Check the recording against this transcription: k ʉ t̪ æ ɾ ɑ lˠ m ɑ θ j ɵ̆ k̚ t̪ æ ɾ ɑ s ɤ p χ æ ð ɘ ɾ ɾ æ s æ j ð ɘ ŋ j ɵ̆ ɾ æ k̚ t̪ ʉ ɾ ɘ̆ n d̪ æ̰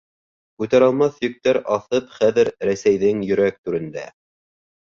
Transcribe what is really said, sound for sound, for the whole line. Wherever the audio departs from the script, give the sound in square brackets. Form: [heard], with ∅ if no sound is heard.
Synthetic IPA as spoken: k ʉ t̪ æ ɾ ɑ lˠ m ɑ θ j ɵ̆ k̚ t̪ æ ɾ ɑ [θ] ɤ p χ æ ð ɘ ɾ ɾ æ s æ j ð ɘ ŋ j ɵ̆ ɾ æ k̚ t̪ ʉ ɾ ɘ̆ n d̪ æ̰